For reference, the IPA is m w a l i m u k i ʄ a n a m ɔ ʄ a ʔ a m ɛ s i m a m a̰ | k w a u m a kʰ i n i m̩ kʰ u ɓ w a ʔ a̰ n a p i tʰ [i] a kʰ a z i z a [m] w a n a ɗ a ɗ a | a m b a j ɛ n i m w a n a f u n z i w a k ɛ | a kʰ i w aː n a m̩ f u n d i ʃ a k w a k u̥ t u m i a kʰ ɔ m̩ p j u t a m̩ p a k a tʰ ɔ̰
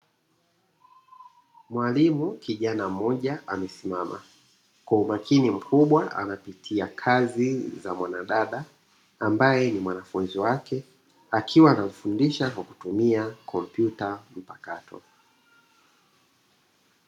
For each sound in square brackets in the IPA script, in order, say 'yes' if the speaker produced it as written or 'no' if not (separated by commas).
yes, yes